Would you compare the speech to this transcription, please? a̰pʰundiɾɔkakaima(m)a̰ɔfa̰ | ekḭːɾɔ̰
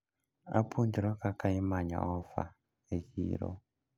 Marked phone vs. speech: incorrect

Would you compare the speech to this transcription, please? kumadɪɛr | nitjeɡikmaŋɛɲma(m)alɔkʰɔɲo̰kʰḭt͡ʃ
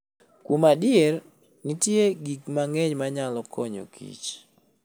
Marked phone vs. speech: incorrect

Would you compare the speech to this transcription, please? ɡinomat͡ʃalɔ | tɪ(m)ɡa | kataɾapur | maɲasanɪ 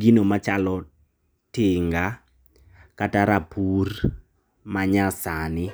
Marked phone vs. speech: incorrect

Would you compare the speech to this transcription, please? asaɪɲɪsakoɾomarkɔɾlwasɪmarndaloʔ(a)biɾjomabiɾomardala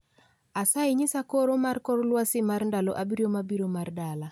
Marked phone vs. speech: correct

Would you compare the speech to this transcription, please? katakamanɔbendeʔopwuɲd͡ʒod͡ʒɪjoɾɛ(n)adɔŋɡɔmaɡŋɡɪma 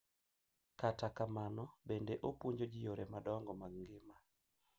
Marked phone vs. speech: incorrect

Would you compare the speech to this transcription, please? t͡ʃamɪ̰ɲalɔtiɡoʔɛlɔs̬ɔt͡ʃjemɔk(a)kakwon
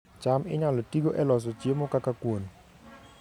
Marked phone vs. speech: correct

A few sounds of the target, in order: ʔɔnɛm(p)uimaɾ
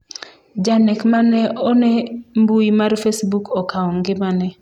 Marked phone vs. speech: incorrect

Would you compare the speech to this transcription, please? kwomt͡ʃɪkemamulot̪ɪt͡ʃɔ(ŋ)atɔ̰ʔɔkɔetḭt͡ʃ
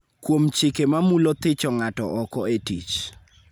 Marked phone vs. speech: correct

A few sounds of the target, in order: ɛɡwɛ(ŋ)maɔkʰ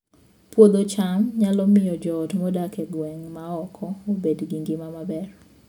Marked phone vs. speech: correct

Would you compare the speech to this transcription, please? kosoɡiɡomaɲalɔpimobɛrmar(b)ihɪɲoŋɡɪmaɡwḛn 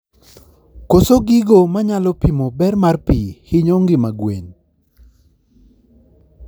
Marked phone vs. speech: incorrect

